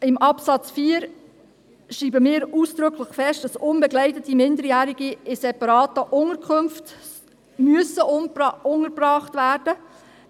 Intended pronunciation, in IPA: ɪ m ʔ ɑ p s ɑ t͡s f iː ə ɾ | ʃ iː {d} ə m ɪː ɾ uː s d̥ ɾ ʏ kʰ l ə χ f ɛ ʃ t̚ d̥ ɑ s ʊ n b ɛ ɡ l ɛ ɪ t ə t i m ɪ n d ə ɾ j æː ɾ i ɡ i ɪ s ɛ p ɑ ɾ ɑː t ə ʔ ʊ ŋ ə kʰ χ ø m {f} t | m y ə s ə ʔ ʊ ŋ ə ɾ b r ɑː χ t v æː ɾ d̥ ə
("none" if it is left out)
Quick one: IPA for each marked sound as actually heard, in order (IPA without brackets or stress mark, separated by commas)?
b, f